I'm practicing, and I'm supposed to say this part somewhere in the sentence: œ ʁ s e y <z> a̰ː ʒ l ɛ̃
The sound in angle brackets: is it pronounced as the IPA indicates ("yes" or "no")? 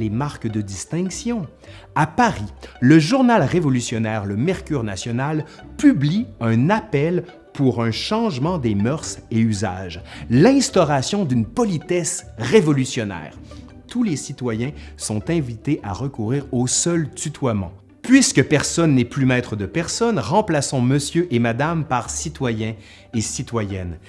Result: yes